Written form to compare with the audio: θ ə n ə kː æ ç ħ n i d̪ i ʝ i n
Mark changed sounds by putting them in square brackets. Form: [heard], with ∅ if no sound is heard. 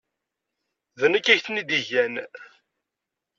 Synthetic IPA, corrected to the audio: [ð] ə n ə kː æ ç [θ] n i d̪ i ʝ [æ] n